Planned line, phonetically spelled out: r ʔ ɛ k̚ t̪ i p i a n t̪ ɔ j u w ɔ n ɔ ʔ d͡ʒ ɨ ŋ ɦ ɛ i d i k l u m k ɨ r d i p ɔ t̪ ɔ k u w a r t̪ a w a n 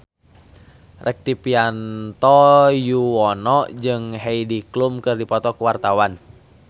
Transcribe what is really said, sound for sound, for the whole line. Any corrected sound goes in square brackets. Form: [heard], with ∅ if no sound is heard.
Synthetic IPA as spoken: r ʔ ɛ k̚ t̪ i p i a n t̪ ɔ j u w ɔ n ɔ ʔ d͡ʒ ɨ ŋ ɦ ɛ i d i k l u m k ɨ r d i p ɔ t̪ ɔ k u w a r t̪ a w a n